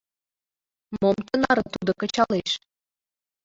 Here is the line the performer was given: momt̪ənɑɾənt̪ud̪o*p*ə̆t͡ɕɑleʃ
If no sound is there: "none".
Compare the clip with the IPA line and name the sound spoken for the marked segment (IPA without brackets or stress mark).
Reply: k